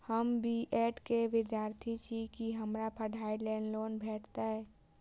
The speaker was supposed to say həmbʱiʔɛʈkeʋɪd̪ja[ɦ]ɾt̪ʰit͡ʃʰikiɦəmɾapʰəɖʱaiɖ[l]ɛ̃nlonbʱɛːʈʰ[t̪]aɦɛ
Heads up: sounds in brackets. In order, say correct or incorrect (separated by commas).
incorrect, correct, correct